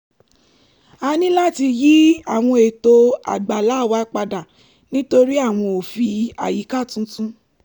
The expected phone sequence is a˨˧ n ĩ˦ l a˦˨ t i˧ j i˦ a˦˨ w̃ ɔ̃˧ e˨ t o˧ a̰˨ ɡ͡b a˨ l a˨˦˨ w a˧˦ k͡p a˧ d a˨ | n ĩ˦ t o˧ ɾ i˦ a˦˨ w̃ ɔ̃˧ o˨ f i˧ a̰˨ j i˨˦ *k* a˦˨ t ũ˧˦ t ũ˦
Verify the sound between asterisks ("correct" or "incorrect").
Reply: correct